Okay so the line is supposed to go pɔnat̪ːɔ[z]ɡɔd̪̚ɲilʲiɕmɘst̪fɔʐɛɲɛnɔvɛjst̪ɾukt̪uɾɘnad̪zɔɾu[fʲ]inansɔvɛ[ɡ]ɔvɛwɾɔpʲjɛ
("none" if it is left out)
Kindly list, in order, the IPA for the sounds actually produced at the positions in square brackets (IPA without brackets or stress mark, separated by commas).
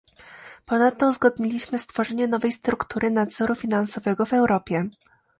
z, fʲ, ɡ